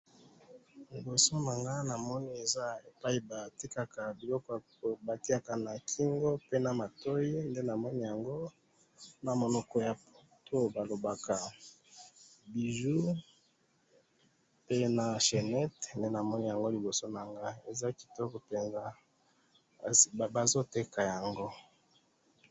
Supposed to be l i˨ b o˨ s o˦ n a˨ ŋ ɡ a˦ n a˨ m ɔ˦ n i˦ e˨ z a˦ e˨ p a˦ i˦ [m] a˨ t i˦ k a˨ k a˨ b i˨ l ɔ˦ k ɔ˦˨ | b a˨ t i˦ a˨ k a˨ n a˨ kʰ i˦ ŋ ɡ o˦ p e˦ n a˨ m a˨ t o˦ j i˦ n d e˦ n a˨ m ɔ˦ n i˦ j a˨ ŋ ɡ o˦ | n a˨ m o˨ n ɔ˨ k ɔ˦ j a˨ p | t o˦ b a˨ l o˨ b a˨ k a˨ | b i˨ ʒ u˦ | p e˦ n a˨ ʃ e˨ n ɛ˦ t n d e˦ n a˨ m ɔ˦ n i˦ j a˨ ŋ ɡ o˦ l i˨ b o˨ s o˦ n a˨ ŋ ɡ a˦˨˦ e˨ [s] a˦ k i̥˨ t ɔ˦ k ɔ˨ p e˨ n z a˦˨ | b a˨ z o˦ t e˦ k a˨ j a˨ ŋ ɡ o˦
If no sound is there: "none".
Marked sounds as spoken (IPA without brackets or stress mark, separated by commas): b, z